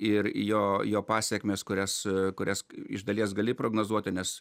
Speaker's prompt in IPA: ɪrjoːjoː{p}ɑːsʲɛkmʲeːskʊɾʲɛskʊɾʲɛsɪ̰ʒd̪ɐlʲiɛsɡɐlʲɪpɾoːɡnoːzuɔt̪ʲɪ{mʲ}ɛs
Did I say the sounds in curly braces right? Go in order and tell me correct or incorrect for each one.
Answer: correct, incorrect

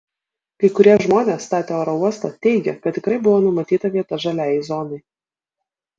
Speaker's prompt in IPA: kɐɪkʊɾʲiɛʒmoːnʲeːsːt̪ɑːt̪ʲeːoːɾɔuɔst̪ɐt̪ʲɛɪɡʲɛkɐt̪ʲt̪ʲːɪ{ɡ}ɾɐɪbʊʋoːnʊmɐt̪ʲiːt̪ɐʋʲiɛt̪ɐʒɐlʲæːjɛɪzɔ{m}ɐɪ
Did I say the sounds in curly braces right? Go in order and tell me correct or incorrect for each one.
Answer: incorrect, incorrect

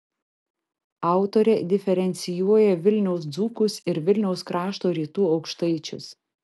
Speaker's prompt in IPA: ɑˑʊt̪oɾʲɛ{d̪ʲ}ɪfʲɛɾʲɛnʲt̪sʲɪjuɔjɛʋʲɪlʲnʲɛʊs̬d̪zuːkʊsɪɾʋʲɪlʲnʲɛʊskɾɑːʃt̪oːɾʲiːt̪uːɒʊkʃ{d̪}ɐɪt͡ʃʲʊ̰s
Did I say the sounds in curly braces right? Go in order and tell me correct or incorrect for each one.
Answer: correct, incorrect

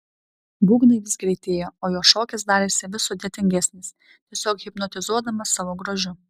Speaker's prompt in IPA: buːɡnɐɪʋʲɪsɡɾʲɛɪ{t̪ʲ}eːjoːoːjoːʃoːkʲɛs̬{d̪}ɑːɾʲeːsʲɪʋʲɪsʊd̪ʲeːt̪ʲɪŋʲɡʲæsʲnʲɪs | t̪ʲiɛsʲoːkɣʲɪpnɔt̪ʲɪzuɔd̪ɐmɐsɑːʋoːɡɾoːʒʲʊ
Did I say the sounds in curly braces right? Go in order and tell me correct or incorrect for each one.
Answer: correct, correct

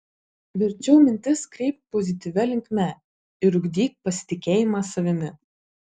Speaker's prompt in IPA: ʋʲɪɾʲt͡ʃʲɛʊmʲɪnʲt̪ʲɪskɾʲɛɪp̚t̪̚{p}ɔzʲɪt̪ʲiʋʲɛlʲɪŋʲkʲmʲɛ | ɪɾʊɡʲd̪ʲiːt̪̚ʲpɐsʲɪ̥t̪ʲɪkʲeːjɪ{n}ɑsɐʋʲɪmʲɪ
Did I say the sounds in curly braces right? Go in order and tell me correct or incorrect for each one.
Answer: correct, incorrect

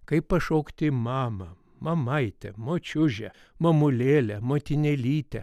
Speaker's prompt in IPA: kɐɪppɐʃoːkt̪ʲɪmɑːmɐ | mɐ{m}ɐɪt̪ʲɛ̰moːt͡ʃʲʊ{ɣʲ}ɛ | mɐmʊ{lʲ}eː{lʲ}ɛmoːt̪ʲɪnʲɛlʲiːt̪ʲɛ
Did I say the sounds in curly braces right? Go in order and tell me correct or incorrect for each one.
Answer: correct, incorrect, correct, correct

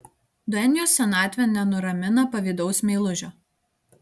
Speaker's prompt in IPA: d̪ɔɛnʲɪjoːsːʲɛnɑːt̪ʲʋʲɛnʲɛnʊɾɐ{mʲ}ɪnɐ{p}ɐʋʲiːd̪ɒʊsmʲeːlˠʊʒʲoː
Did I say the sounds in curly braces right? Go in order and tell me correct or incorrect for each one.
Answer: correct, correct

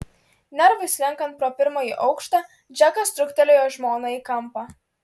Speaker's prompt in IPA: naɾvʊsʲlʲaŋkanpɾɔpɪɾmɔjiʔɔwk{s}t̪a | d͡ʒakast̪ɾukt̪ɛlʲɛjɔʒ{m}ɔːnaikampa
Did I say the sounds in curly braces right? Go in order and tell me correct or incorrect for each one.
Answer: incorrect, correct

